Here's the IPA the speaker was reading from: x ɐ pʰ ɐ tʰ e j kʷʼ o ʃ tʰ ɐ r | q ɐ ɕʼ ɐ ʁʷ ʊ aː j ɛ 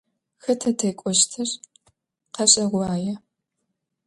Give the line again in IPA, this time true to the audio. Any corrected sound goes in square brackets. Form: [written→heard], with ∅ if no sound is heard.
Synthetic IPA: x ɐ [pʰ→tʰ] ɐ tʰ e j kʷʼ [o→ɔ] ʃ tʰ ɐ r | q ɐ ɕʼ ɐ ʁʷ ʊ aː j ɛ